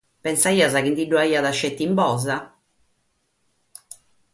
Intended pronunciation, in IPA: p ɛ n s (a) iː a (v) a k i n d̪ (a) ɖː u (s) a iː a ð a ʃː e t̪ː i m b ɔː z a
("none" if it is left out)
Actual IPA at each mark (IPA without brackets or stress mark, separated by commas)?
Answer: a, z, i, none